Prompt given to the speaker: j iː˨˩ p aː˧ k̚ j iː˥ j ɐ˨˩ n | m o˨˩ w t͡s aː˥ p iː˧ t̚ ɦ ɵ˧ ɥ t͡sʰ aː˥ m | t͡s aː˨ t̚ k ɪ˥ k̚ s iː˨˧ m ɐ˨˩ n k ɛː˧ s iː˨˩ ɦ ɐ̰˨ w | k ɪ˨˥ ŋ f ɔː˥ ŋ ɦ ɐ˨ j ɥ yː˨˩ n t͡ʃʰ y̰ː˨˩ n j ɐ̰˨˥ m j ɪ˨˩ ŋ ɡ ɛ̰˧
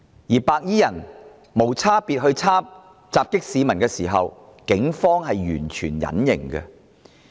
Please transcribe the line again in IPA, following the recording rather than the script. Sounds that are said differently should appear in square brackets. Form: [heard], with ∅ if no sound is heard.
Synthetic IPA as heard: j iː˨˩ p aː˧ k̚ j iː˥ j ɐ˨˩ n | m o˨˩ w [t͡sʰ] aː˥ p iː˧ t̚ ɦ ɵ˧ ɥ t͡sʰ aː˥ m | t͡s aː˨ [p̚] k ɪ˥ k̚ s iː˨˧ m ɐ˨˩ n k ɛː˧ s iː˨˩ ɦ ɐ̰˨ w | k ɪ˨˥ ŋ f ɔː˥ ŋ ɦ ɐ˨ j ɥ yː˨˩ n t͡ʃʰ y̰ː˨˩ n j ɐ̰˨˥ [n] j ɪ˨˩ ŋ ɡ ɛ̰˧